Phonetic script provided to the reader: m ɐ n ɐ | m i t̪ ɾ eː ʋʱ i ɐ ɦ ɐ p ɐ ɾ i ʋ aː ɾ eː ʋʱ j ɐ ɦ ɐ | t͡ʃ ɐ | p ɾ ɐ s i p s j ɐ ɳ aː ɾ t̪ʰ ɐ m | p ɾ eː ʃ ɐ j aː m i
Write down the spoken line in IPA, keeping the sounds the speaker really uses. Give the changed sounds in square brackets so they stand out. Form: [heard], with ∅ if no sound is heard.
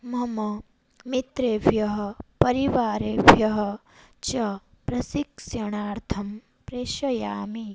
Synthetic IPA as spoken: m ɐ [m] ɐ | m i t̪ ɾ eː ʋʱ [j] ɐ ɦ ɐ p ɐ ɾ i ʋ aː ɾ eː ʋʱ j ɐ ɦ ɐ | t͡ʃ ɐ | p ɾ ɐ s i [k] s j ɐ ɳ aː ɾ t̪ʰ ɐ m | p ɾ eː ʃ ɐ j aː m i